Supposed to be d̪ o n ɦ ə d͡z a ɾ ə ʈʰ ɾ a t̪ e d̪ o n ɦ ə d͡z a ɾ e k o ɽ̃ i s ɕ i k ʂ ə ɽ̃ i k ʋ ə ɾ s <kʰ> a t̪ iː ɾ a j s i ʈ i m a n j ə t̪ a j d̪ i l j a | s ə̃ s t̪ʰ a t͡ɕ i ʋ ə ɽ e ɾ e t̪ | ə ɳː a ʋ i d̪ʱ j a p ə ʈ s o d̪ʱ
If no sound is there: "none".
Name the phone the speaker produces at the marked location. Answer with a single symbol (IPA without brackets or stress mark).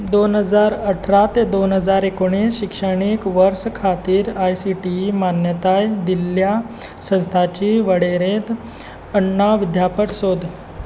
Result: kʰ